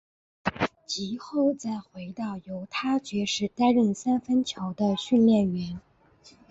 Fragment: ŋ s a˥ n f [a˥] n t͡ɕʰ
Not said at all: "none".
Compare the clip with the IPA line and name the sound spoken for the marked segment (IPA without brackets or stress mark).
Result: ə˥